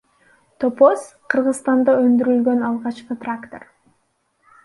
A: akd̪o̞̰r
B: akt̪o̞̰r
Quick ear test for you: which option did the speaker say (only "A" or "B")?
B